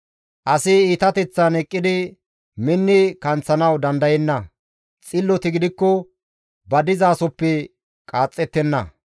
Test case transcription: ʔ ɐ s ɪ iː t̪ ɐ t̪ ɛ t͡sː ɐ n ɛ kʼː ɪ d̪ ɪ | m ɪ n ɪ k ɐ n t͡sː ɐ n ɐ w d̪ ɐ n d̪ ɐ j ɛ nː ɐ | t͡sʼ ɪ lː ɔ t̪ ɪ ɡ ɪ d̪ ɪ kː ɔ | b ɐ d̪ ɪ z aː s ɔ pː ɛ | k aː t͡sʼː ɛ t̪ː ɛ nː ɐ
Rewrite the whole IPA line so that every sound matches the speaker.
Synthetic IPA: ʔ ɐ s ɪ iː t̪ ɐ t̪ ɛ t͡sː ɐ n ɛ kʼː ɪ d̪ ɪ | m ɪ nː ɪ k ɐ n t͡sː ɐ n ɐ w d̪ ɐ n d̪ ɐ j ɛ nː ɐ | t͡sʼ ɪ lː ɔ t̪ ɪ ɡ ɪ d̪ ɪ kː ɔ | b ɐ d̪ ɪ z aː s ɔ pː ɛ | kʼ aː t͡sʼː ɛ t̪ː ɛ nː ɐ